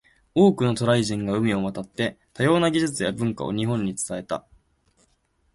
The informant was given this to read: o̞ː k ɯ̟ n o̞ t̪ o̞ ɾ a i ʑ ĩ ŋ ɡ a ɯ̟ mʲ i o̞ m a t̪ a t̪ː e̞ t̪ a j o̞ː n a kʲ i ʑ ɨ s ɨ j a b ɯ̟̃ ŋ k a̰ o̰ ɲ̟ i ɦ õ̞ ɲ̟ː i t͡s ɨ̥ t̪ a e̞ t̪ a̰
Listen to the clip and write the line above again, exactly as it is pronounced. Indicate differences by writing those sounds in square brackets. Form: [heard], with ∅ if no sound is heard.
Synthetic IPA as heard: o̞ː k ɯ̟ n o̞ t̪ o̞ ɾ a i ʑ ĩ ŋ ɡ a ɯ̟ mʲ i o̞ m a t̪ a t̪ː e̞ t̪ a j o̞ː n a [ɡʲ] i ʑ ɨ [t͡s] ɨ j a b ɯ̟̃ ŋ k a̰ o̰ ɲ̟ i ɦ õ̞ ɲ̟ː i t͡s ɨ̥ t̪ a e̞ t̪ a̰